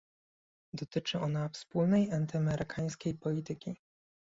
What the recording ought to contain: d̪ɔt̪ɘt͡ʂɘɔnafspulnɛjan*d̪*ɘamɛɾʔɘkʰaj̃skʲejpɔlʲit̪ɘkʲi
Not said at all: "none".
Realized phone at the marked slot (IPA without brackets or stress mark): t̪